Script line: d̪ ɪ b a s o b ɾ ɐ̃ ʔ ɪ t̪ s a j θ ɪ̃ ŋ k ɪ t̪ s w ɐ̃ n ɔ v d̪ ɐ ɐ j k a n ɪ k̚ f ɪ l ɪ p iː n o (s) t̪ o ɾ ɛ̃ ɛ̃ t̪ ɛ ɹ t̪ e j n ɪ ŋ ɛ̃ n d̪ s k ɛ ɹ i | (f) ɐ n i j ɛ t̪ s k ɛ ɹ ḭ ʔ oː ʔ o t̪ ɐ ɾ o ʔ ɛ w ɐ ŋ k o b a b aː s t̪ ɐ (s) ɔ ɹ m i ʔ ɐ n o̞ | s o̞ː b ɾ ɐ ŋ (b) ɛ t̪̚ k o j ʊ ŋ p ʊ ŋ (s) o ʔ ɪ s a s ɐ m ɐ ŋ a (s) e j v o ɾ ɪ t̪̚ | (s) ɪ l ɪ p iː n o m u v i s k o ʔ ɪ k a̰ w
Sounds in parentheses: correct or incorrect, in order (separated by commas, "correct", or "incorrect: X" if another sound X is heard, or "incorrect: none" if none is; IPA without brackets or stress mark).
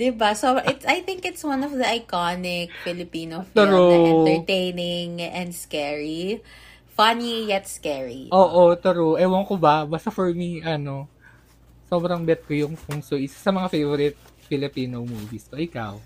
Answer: incorrect: f, correct, incorrect: f, correct, correct, incorrect: f, incorrect: f